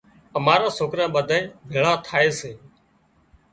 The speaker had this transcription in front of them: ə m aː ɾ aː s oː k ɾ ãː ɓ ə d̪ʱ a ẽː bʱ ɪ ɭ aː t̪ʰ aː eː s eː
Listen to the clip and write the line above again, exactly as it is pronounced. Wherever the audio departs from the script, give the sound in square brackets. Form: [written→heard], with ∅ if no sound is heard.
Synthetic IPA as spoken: ə m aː ɾ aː s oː k ɾ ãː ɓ ə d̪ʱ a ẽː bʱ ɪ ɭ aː t̪ʰ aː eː s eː